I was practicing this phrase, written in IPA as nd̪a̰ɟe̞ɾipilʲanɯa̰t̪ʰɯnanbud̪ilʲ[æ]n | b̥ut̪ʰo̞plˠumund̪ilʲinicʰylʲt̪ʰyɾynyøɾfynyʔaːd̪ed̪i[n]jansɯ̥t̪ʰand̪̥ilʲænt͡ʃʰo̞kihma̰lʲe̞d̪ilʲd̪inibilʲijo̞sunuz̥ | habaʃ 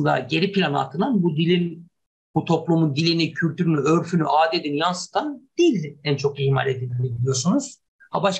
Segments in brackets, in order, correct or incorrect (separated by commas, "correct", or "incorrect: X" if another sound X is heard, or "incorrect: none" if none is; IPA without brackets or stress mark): incorrect: i, correct